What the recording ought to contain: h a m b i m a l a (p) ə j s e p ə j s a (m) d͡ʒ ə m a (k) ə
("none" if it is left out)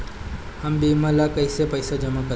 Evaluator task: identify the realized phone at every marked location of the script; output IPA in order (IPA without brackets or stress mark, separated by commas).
k, none, k